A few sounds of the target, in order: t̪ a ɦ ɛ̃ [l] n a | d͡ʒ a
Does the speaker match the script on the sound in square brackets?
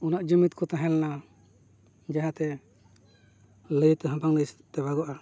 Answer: yes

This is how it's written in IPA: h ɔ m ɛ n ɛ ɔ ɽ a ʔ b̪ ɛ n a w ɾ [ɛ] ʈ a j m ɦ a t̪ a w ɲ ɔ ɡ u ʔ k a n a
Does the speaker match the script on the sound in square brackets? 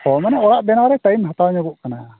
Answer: yes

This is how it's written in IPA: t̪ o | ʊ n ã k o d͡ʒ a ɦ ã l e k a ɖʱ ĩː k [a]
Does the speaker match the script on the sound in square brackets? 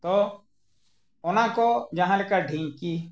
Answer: no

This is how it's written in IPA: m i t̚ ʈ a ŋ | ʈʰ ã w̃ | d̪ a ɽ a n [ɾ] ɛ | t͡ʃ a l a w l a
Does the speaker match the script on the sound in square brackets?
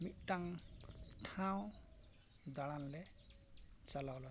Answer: no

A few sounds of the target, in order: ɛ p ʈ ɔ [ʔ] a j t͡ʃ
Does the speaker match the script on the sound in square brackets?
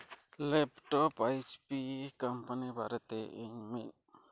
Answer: no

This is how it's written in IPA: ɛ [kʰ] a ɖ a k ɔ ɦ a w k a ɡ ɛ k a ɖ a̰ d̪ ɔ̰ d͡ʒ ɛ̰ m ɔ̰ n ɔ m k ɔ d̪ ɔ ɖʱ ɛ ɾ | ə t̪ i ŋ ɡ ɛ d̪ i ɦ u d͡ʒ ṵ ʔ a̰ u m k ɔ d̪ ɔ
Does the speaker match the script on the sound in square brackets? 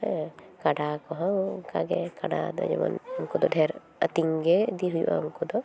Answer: no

